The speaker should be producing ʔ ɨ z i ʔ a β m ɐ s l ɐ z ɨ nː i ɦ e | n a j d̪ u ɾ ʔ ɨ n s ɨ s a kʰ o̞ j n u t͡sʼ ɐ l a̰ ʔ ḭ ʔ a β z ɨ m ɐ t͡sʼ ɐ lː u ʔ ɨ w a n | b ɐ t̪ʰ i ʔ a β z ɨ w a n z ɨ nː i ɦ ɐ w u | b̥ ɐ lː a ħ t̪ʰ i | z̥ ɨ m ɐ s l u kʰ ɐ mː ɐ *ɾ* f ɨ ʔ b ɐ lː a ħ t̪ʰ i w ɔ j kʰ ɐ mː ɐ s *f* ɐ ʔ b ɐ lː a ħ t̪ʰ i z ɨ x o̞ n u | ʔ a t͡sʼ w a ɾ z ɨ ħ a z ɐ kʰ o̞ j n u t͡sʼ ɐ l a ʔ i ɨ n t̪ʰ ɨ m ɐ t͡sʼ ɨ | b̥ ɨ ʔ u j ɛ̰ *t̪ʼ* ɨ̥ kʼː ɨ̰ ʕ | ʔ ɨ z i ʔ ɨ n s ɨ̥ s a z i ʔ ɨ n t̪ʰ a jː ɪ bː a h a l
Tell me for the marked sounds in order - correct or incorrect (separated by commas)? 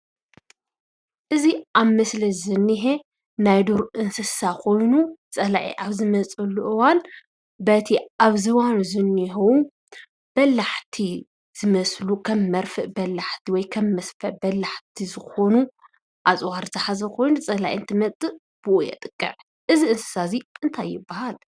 correct, correct, correct